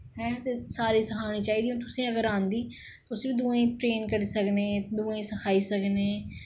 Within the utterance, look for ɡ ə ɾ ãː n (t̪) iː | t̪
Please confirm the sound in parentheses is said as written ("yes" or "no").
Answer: no